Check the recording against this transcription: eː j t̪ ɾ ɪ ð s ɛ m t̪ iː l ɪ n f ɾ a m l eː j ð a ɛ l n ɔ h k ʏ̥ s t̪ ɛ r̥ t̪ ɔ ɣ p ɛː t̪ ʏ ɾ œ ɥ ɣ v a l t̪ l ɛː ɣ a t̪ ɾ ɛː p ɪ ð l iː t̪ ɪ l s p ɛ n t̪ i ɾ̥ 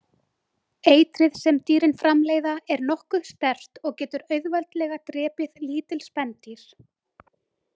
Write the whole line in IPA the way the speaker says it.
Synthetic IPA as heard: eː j t̪ ɾ ɪ ð s ɛ m t̪ iː ɾ ɪ n f ɾ a m l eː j ð a ɛ ɾ n ɔ h k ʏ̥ s t̪ ɛ r̥ t̪ ɔ ɣ c ɛː t̪ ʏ ɾ œ ɥ ð v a l t̪ l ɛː ɣ a t̪ ɾ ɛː p ɪ ð l iː t̪ ɪ l s p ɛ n t̪ i ɾ̥